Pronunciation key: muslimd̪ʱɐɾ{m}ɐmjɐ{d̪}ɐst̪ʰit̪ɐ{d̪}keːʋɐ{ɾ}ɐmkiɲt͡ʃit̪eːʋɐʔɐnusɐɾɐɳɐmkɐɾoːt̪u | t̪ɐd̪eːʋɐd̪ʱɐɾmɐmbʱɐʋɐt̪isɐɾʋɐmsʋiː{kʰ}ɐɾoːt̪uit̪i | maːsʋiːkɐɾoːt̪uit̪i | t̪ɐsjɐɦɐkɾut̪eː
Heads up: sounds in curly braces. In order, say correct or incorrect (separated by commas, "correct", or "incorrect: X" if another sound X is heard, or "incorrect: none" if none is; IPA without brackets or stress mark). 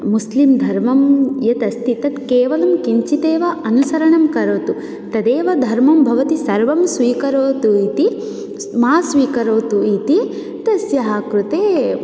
correct, incorrect: t̪, incorrect: t̪, incorrect: l, incorrect: k